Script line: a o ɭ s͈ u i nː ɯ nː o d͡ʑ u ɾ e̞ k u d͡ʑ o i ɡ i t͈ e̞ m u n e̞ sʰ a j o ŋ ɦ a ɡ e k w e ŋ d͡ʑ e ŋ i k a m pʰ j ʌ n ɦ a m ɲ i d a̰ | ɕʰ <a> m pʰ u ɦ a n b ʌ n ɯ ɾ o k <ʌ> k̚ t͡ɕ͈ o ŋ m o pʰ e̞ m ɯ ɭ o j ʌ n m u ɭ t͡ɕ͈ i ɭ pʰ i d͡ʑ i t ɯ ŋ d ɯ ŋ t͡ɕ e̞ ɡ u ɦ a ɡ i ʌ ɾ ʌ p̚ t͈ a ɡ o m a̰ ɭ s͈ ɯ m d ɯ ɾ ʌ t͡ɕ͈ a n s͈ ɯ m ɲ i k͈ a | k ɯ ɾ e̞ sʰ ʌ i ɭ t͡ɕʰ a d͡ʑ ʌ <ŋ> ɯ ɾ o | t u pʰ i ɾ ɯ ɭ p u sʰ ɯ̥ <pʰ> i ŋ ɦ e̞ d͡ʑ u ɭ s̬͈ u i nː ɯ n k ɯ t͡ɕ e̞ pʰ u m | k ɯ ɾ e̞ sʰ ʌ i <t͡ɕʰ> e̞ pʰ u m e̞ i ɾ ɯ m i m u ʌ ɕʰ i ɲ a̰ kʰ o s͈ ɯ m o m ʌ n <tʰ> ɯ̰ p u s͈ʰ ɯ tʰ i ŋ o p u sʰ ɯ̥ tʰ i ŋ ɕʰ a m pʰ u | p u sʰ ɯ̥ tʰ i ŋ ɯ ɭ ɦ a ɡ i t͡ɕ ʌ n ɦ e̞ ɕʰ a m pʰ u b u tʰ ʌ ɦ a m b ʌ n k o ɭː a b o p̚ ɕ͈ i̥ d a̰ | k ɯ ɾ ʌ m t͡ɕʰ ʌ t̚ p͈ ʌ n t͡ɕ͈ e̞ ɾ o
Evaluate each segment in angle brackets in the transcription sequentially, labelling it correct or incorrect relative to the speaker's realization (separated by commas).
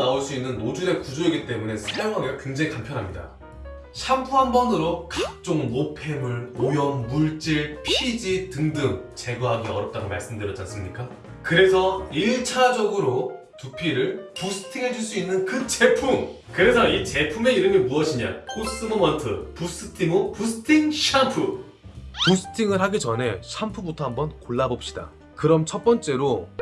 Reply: correct, incorrect, incorrect, incorrect, incorrect, correct